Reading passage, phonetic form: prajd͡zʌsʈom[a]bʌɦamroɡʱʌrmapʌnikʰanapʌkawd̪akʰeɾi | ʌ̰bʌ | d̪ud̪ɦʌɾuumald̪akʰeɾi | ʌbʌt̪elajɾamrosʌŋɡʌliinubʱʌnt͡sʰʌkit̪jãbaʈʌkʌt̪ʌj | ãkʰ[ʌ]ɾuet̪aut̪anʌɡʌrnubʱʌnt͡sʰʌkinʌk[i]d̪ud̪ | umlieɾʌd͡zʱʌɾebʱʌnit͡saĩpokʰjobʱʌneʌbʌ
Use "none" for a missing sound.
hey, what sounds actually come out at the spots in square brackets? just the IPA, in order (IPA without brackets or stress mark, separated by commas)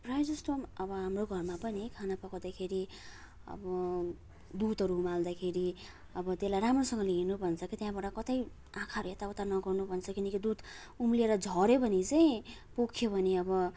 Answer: ʌ, a, i